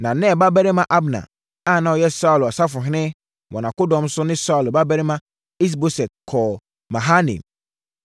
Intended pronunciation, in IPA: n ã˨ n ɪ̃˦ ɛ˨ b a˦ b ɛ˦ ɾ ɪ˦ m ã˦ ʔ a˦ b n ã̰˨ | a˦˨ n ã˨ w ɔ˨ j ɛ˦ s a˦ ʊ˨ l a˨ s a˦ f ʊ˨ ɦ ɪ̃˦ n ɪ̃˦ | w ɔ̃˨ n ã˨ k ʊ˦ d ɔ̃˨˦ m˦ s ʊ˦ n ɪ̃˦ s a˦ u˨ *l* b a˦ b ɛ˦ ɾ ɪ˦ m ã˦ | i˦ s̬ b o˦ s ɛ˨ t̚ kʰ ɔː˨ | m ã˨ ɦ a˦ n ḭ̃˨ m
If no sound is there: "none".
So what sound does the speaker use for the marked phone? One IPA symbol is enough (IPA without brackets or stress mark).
l